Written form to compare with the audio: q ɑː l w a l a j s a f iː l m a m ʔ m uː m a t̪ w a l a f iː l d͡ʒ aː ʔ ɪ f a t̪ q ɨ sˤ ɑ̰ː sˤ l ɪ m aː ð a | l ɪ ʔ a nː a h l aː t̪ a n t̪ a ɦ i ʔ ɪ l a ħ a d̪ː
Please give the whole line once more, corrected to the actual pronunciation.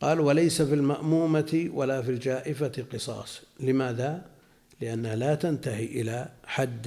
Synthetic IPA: q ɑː l w a l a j s a f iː l m a ʔ m uː m a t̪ w a l a f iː l d͡ʒ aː ʔ ɪ f a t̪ q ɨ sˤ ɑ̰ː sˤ l ɪ m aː ð a | l ɪ ʔ a nː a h l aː t̪ a n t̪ a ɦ i ʔ ɪ l a ħ a d̪ː